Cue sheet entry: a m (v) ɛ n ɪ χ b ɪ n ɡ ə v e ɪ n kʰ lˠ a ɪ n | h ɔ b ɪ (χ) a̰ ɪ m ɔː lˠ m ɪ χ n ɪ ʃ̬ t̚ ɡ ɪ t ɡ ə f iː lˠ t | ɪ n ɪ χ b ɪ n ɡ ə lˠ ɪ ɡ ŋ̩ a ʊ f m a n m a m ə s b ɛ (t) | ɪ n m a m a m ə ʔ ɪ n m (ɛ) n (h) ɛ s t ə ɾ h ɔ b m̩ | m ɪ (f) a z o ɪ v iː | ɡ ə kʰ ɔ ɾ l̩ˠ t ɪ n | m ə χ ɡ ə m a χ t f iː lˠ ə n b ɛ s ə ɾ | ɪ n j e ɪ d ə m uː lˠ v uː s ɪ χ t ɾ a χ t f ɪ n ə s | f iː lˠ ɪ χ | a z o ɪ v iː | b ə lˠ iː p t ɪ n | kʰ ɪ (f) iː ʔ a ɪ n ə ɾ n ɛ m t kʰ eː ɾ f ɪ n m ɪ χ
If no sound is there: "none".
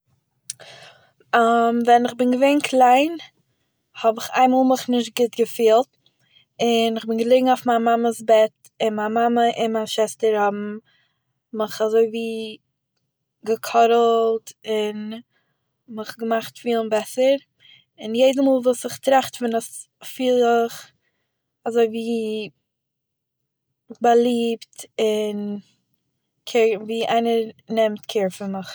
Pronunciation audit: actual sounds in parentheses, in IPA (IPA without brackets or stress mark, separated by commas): v, χ, t, a, ʃ, χ, v